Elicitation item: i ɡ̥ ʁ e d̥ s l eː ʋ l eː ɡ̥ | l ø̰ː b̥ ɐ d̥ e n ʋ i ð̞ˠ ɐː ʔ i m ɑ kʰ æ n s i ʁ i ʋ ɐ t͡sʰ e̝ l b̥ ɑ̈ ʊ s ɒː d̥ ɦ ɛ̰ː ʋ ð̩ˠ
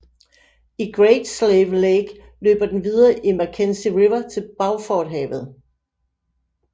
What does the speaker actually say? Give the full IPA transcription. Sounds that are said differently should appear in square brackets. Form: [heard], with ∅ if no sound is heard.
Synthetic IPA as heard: i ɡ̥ ʁ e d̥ s l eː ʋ l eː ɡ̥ | l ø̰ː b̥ ɐ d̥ e n ʋ i ð̞ˠ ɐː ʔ i m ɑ kʰ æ n s i ʁ i ʋ ɐ t͡sʰ e̝ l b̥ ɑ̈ ʊ [f] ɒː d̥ ɦ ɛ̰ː ʋ ð̩ˠ